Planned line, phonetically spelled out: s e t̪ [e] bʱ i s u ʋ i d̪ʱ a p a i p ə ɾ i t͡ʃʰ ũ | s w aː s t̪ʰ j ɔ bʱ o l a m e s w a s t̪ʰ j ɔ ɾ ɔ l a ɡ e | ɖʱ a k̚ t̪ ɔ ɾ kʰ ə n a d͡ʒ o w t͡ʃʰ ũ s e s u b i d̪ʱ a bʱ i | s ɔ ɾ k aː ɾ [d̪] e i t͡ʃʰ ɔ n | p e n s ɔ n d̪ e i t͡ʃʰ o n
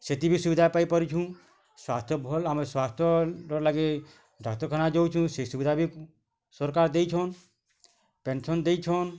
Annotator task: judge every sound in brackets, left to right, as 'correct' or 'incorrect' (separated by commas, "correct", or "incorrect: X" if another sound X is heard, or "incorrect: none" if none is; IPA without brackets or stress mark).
incorrect: i, correct